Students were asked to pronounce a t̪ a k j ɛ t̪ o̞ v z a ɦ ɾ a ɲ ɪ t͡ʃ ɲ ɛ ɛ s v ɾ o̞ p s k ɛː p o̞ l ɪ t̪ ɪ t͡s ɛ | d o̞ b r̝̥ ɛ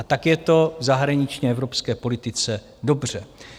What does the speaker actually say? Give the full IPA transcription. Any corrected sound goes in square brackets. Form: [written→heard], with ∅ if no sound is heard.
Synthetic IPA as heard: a t̪ a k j ɛ t̪ o̞ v z a ɦ ɾ a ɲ ɪ t͡ʃ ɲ ɛ ɛ [s→∅] v ɾ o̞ p s k ɛː p o̞ l ɪ t̪ ɪ t͡s ɛ | d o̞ b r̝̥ ɛ